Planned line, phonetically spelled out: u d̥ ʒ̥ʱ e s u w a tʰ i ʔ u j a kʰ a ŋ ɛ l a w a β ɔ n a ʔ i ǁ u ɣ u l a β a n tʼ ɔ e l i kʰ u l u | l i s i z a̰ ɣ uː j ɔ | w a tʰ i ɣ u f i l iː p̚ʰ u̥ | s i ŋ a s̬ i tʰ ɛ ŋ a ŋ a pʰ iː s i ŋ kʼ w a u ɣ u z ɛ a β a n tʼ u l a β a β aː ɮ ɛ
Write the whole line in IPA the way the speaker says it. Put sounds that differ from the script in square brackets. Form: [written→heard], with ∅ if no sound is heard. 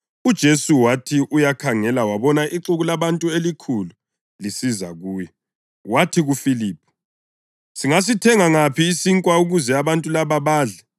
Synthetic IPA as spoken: u d̥ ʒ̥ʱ e s u w a tʰ i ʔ u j a kʰ a ŋ ɛ l a w a β ɔ n a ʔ i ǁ u ɣ u l a β a n tʼ [ɔ→u] e l i kʰ u l u | l i s i z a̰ ɣ uː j ɔ | w a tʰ i ɣ u f i l iː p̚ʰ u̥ | s i ŋ a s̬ i tʰ ɛ ŋ a ŋ a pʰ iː s i ŋ kʼ w a u ɣ u z ɛ a β a n tʼ u l a β a β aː ɮ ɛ

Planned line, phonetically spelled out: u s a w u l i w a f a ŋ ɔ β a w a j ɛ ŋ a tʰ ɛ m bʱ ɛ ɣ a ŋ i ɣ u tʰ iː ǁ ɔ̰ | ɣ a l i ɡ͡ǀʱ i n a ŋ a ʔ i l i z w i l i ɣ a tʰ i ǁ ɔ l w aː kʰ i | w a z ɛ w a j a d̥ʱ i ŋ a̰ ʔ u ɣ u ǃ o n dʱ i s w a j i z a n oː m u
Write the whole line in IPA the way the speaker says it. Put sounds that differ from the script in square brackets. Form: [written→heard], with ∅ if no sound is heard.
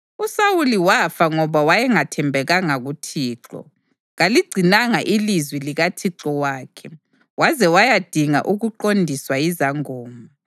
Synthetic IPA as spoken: u s a w u l i w a f a ŋ ɔ β a w a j ɛ ŋ a tʰ ɛ m bʱ ɛ ɣ a ŋ [i→a] ɣ u tʰ iː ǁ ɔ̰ | ɣ a l i ɡ͡ǀʱ i n a ŋ a ʔ i l i z w i l i ɣ a tʰ i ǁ ɔ [l→∅] w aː kʰ [i→ɛ] | w a z ɛ w a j a d̥ʱ i ŋ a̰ ʔ u ɣ u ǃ o n dʱ i s w a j i z a [n→ŋ] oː m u

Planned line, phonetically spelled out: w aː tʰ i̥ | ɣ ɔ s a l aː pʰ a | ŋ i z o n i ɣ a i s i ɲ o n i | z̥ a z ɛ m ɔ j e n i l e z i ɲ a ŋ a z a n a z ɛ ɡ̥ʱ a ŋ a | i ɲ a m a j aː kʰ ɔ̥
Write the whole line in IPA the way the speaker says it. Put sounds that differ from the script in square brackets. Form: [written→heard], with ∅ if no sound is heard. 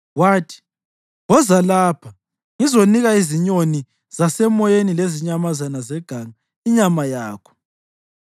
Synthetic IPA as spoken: w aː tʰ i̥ | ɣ ɔ [s→z] a l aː pʰ a | ŋ i z o n i ɣ a i [s→z] i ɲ o n i | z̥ a [z→s] ɛ m ɔ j e n i l e z i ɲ a [ŋ→m] a z a n a z ɛ ɡ̥ʱ a ŋ a | i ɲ a m a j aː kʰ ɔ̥

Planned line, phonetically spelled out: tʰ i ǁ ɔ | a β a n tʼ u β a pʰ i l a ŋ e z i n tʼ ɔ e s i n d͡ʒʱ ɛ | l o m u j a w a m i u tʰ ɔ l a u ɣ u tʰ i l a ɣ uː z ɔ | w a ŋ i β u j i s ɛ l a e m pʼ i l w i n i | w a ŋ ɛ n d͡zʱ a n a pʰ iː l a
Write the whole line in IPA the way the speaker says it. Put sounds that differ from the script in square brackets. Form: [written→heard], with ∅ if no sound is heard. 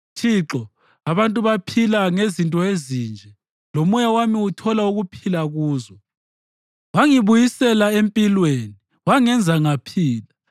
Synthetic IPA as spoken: tʰ i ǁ ɔ | a β a n tʼ u β a pʰ i l a ŋ e z i n tʼ ɔ e [s→z] i n d͡ʒʱ ɛ | l o m u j a w a m i u tʰ ɔ l a u ɣ u [tʰ→pʰ] i l a ɣ uː z ɔ | w a ŋ i β u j i s ɛ l a e m pʼ i l w [i→e] n i | w a ŋ ɛ n d͡zʱ a [n→ŋ] a pʰ iː l a

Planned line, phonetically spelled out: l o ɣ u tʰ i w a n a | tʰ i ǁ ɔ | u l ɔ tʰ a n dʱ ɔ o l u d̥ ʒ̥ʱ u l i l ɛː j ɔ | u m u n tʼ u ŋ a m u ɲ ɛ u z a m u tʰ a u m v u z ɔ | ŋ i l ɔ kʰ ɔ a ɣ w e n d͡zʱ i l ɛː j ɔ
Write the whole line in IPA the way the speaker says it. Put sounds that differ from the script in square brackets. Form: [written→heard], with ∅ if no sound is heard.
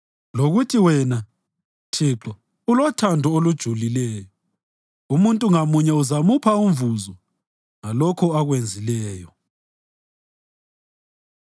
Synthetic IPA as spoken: l o ɣ u tʰ i w [a→ɛ] n a | tʰ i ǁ ɔ | u l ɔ tʰ a n dʱ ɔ o l u d̥ ʒ̥ʱ u l i l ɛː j ɔ | u m u n tʼ u ŋ a m u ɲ ɛ u z a m u [tʰ→pʰ] a u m v u z ɔ | ŋ [i→a] l ɔ kʰ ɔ a ɣ w e n d͡zʱ i l ɛː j ɔ

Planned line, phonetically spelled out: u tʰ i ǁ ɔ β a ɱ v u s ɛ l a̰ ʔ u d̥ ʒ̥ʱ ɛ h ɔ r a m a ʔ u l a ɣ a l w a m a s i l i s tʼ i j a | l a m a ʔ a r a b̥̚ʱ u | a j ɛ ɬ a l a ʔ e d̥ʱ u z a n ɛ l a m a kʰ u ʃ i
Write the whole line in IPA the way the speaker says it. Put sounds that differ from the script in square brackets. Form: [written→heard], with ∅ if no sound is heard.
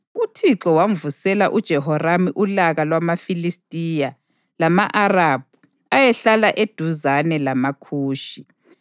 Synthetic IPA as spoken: u tʰ i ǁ ɔ [β→w] a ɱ v u s ɛ l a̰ ʔ u d̥ ʒ̥ʱ ɛ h ɔ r a m [a→i] ʔ u l a ɣ a l w a m a [s→f] i l i s tʼ i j a | l a m a ʔ a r a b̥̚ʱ u | a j ɛ ɬ a l a ʔ e d̥ʱ u z a n ɛ l a m a kʰ [u→uː] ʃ i

